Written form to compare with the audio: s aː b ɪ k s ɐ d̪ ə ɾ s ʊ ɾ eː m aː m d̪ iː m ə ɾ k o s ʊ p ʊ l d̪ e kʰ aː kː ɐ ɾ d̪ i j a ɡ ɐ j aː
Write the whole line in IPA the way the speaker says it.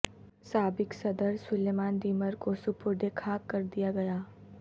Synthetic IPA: s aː b ɪ k s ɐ d̪ ə ɾ s ʊ l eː m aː n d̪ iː m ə ɾ k o s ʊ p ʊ ɾ d̪ e kʰ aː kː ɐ ɾ d̪ i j a ɡ ɐ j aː